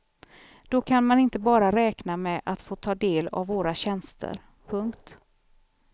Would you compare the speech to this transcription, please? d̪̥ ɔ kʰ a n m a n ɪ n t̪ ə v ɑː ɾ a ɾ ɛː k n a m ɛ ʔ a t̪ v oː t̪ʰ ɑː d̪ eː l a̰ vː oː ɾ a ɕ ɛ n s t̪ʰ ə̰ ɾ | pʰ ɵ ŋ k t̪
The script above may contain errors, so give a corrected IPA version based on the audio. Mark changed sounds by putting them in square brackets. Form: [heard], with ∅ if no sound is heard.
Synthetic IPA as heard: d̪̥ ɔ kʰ a n m a n ɪ n t̪ ə [b] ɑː ɾ a ɾ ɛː k n a m ɛ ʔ a t̪ [f] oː t̪ʰ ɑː d̪ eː l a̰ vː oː ɾ a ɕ ɛ n s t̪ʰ ə̰ ɾ | pʰ ɵ ŋ k t̪